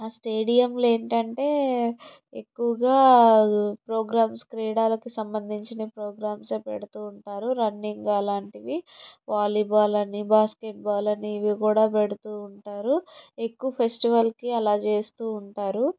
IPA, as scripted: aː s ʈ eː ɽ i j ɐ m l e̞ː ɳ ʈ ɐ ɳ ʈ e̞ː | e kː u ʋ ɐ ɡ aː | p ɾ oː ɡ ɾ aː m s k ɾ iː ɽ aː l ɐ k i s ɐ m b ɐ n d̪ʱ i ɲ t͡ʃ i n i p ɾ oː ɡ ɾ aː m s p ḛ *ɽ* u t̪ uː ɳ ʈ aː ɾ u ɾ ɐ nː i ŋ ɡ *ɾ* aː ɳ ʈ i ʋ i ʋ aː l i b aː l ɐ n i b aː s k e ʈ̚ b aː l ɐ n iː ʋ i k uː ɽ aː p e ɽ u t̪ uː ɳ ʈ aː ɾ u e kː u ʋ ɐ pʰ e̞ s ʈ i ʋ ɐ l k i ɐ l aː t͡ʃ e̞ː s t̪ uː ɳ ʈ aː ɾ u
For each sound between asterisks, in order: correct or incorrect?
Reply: correct, incorrect

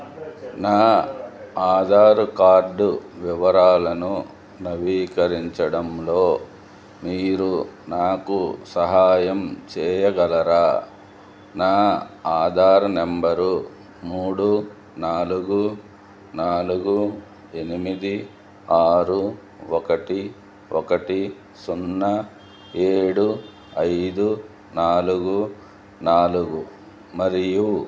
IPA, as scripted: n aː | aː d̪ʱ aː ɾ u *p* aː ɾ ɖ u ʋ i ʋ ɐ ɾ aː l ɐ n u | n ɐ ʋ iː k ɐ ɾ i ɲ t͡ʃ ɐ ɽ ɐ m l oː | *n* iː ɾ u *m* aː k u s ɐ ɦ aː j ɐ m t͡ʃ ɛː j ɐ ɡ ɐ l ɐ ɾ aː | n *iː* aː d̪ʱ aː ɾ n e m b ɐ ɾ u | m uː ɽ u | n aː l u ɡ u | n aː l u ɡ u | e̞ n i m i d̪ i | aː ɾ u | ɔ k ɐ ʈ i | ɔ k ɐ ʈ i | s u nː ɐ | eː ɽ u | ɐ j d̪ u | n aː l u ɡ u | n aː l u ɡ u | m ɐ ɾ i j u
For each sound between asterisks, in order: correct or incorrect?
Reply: incorrect, incorrect, incorrect, incorrect

